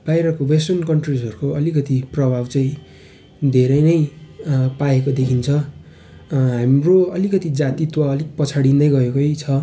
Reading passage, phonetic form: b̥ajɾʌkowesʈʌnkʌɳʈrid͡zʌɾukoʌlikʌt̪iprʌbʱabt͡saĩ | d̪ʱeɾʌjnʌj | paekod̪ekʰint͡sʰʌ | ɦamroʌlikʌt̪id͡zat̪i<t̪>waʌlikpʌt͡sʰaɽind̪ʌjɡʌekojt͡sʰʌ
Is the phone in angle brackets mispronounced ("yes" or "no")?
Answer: no